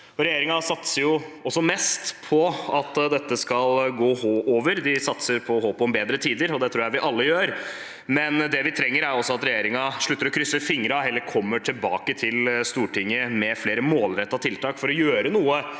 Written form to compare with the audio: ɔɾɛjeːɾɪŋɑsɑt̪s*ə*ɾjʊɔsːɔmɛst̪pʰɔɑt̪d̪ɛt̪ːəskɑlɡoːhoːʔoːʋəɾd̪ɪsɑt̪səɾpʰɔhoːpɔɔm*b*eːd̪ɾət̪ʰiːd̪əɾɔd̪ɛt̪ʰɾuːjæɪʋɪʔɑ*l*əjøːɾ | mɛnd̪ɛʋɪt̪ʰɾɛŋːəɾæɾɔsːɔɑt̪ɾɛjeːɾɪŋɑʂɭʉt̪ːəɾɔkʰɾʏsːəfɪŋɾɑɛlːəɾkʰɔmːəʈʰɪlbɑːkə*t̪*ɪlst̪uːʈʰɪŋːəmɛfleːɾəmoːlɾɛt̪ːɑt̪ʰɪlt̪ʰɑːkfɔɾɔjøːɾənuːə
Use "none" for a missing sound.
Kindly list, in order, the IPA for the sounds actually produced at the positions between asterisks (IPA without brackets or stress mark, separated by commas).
ə, b, lː, t̪ʰ